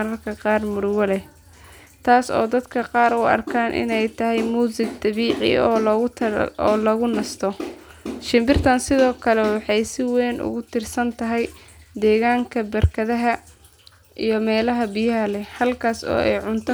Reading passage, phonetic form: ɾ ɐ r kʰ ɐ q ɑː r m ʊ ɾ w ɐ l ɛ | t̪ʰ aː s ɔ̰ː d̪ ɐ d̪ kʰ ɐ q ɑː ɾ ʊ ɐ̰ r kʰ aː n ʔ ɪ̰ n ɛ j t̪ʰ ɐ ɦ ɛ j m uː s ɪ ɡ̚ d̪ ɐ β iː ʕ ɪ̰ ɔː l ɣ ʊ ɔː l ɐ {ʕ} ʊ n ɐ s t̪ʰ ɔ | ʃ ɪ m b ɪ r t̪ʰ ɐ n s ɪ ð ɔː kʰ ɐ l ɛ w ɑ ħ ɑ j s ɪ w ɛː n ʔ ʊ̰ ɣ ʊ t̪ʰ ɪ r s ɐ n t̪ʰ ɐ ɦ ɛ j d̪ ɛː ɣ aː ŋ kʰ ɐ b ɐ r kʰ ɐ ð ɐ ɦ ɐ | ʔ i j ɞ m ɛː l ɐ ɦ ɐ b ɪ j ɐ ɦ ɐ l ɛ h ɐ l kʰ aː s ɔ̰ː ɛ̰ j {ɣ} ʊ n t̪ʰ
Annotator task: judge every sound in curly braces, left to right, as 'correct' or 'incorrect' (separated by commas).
incorrect, incorrect